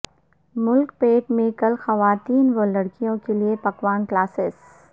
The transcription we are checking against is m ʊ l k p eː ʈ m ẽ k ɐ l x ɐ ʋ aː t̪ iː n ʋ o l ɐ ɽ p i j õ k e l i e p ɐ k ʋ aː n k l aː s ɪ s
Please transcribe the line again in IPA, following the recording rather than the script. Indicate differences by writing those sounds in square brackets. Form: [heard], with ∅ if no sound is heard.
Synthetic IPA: m ʊ l k p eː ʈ m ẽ k ɐ l x ɐ ʋ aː t̪ iː n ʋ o l ɐ ɽ [k] i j õ k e l i e p ɐ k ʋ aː n k l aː s ɪ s